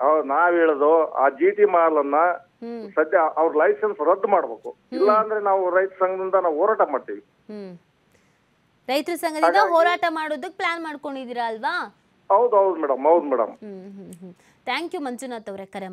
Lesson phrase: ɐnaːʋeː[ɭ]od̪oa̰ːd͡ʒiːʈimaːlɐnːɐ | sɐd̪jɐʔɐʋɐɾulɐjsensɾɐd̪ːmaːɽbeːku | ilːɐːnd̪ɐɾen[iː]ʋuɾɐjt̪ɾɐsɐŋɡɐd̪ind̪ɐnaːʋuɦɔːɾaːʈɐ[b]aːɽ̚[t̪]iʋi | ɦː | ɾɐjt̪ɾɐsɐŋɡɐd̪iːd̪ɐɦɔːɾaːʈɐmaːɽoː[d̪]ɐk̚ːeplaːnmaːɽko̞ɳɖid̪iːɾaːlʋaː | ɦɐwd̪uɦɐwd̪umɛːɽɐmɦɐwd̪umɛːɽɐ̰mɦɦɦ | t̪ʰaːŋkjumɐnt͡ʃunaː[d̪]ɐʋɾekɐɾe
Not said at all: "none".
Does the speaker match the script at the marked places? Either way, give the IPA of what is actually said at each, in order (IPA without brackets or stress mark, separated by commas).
ɭ, aː, m, t̪, d̪, t̪